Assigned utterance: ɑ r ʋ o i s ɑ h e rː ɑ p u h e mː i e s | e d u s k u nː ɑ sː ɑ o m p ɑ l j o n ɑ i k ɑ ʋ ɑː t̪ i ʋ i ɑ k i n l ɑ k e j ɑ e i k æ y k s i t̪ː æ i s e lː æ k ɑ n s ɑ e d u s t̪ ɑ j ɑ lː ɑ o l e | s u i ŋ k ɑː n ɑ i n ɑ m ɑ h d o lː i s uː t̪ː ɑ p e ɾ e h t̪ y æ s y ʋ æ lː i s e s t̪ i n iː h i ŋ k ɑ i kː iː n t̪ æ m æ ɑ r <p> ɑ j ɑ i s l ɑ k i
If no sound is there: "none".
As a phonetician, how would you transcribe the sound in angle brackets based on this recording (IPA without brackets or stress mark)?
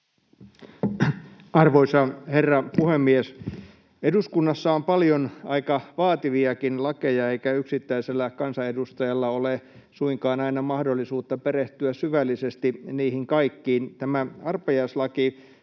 p